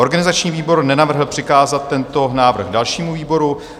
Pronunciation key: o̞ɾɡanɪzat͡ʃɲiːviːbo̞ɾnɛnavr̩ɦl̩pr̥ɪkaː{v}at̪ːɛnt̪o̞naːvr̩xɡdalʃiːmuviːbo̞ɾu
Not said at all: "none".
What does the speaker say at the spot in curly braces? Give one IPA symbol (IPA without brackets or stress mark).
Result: z